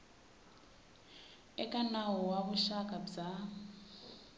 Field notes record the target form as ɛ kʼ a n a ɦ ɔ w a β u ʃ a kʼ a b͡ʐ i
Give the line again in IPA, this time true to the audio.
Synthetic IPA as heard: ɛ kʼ a n a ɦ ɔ w a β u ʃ a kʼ a b͡ʐ a